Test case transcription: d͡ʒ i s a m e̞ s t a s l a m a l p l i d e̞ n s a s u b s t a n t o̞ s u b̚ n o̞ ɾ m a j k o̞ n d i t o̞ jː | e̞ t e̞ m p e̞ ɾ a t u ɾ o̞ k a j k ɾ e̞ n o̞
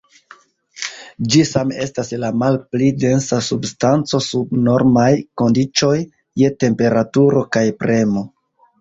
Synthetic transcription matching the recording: d͡ʒ i s a m e̞ s t a s l a m a l p l i d e̞ n s a s u b s t a n t͡s o̞ s u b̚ n o̞ ɾ m a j k o̞ n d i t͡ʃ o̞ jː | e̞ t e̞ m p e̞ ɾ a t u ɾ o̞ k a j p ɾ e̞ m o̞